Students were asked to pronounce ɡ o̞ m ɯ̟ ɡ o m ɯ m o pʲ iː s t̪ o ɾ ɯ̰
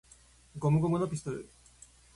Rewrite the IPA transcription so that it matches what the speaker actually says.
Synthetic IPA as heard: ɡ o̞ m ɯ̟ ɡ o m ɯ n o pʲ i s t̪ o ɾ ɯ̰